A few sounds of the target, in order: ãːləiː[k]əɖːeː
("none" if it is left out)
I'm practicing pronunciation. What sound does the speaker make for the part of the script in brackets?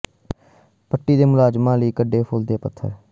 k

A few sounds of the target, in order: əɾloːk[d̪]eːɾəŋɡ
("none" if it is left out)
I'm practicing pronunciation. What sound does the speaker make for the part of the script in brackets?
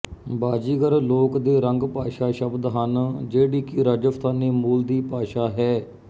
d̪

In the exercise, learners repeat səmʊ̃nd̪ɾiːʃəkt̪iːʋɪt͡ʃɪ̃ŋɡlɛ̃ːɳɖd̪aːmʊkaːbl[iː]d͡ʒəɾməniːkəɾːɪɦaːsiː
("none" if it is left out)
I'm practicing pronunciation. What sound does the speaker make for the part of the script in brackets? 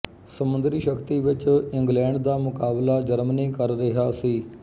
aː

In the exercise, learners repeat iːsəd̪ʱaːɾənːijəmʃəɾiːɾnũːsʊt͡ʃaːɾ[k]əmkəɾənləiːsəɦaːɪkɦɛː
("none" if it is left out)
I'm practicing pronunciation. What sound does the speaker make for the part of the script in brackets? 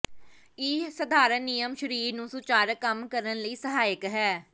k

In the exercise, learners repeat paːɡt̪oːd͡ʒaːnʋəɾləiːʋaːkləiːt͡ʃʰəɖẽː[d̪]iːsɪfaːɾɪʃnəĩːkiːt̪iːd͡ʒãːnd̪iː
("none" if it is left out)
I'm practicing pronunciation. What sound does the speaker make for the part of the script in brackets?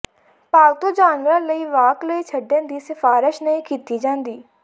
d̪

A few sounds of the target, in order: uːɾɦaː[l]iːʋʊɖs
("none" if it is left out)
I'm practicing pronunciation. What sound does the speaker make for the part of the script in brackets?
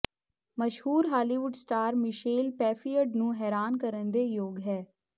l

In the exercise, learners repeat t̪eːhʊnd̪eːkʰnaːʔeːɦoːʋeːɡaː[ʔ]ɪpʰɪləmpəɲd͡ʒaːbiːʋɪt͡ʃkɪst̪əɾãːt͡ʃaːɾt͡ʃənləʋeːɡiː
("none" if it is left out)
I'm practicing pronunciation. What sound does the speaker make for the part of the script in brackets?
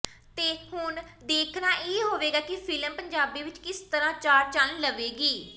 k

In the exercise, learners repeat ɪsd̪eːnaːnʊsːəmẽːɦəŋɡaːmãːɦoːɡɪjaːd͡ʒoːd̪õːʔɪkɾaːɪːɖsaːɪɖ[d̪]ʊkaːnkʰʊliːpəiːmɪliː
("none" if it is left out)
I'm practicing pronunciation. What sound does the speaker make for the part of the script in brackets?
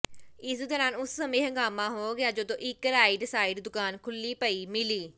d̪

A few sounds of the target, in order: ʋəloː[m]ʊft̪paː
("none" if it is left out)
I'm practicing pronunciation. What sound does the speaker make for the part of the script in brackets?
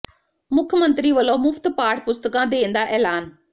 m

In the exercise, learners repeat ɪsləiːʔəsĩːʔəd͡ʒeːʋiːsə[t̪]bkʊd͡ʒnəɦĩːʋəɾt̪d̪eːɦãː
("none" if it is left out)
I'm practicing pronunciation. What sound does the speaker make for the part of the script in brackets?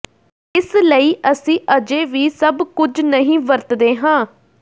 none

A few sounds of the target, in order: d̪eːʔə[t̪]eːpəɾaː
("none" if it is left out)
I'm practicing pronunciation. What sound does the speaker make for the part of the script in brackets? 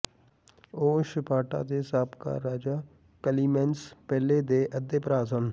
d̪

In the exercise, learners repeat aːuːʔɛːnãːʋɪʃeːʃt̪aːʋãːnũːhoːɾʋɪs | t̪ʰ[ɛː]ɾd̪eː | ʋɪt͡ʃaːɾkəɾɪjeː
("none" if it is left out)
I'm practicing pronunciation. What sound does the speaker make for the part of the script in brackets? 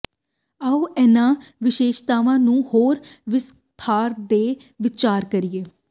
aː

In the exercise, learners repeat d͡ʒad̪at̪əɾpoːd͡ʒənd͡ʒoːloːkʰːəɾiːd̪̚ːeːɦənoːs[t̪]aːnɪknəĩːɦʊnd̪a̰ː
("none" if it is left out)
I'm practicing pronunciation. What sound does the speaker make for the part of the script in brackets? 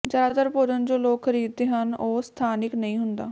t̪ʰ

